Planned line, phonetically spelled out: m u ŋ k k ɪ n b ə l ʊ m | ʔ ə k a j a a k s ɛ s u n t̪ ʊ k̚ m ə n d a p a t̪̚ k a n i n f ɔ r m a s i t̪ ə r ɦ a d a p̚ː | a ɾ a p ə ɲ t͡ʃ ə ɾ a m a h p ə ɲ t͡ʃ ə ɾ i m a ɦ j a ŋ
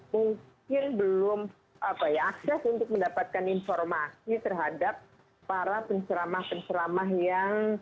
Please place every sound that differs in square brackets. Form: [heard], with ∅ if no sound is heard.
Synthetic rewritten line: m u ŋ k k ɪ n b ə l ʊ m | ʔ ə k a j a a k s ɛ s u n t̪ ʊ k̚ m ə n d a p a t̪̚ k a n i n f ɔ r m a s i t̪ ə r ɦ a d a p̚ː | a ɾ a p ə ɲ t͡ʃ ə ɾ a m a h p ə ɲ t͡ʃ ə ɾ [a] m a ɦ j a ŋ